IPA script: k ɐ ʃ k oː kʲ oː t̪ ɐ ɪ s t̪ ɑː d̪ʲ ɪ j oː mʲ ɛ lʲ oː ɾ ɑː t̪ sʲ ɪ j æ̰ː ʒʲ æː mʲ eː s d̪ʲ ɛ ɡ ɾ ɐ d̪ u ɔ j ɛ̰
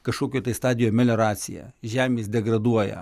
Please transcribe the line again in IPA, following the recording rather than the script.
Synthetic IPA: k ɐ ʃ k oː kʲ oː t̪ ɐ ɪ s t̪ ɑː d̪ʲ ɪ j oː mʲ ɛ lʲ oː ɾ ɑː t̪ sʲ ɪ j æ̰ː ʒʲ æː mʲ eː s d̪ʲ ɛ ɡ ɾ ɐ d̪ u ɔ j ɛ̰